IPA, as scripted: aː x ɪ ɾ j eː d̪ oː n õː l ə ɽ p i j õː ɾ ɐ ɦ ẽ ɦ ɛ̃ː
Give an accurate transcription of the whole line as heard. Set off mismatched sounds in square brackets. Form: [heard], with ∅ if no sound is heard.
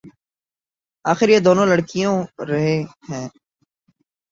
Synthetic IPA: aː x ɪ ɾ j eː d̪ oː n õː l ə ɽ [k] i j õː ɾ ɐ ɦ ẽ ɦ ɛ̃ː